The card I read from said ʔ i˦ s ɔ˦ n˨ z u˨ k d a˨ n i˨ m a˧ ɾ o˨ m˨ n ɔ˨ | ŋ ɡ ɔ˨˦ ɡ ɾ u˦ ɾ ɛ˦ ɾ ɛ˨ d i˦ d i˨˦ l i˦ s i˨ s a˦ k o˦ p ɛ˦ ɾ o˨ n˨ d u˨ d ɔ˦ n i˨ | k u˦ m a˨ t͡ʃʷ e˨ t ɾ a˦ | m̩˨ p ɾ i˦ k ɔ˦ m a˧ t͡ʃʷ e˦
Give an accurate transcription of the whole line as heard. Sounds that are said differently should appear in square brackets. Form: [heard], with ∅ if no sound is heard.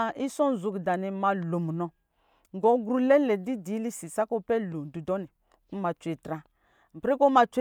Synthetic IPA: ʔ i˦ s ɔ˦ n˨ z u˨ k d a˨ n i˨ m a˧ [l] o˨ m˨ n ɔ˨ | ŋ ɡ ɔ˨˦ ɡ ɾ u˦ [l] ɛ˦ [l] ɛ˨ d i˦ d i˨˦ l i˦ s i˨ s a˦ k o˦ p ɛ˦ [l] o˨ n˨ d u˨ d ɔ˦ n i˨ | k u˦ m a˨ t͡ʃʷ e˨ t ɾ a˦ | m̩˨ p ɾ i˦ k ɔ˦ m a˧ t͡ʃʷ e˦